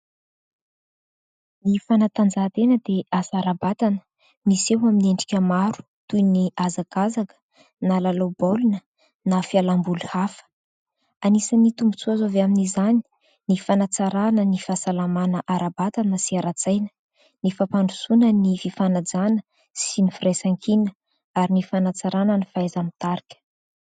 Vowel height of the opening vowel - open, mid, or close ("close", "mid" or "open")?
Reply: close